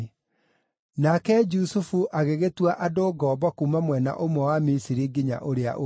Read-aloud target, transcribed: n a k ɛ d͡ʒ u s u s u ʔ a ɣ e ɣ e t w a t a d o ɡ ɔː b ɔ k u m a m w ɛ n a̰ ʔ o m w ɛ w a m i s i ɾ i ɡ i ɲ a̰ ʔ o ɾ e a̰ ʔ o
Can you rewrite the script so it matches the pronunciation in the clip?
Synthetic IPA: n a k ɛ d͡ʒ u s u f u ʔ a ɣ e ɣ e t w a ʔ a d o ɡ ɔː b ɔ k u m a m w ɛ n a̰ ʔ o m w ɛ w a m i s i ɾ i ɡ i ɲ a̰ ʔ o ɾ e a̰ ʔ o